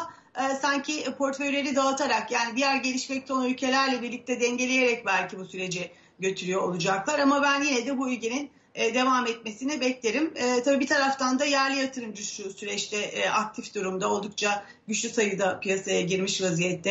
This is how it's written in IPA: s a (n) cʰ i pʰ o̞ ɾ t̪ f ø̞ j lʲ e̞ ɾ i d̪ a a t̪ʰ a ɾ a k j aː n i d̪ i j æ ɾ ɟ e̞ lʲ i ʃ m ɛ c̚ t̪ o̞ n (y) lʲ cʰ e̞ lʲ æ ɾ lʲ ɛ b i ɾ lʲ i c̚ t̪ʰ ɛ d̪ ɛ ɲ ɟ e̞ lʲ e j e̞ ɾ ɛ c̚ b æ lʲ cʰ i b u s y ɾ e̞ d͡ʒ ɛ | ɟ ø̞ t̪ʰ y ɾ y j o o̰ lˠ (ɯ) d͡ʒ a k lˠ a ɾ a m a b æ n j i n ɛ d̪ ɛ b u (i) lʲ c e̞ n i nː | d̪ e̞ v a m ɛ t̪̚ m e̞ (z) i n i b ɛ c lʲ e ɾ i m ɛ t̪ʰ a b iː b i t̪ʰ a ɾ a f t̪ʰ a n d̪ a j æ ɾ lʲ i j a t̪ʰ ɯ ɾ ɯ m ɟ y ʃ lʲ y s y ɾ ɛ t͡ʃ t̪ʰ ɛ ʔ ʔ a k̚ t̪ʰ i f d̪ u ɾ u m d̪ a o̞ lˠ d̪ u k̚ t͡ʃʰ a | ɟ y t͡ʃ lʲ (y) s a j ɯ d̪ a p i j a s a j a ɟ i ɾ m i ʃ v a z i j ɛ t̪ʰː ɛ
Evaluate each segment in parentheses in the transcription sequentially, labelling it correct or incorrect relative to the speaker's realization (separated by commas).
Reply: incorrect, correct, incorrect, incorrect, incorrect, correct